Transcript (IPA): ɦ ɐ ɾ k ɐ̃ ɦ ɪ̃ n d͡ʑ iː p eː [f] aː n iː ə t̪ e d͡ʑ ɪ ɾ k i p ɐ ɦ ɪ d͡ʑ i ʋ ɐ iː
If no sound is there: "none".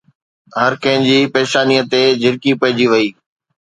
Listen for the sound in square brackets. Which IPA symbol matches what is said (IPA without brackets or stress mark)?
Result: ʃ